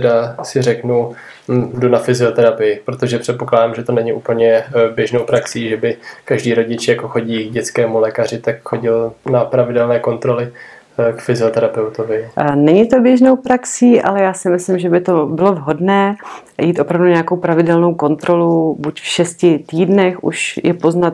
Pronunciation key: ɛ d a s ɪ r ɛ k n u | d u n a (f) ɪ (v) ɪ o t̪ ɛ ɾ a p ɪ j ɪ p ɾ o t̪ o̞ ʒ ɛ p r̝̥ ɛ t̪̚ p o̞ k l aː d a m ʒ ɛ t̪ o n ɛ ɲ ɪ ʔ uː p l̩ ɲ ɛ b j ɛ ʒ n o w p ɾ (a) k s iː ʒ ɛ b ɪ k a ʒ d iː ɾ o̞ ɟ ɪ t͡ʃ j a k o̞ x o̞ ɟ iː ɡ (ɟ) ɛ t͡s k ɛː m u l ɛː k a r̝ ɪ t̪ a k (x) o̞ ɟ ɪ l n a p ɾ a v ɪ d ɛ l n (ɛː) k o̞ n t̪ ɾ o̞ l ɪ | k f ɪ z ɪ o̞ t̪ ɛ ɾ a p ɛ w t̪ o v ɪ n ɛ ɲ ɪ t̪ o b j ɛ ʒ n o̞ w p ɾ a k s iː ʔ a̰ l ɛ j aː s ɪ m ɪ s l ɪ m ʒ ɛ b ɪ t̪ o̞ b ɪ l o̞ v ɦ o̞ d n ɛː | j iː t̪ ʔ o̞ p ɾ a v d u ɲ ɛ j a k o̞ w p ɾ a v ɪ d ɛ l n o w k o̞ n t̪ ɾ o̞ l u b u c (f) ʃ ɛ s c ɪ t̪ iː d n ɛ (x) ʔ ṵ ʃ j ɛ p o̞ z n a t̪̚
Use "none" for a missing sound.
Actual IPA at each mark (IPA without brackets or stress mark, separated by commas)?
f, z, a, ɟ, x, ɛː, f, x